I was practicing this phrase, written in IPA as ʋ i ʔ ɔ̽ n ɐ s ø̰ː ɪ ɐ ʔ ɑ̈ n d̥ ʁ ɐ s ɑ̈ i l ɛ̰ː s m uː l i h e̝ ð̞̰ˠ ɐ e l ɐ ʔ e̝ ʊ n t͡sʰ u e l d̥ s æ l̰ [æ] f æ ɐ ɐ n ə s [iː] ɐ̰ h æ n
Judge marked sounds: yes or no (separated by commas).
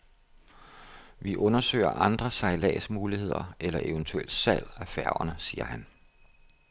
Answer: yes, yes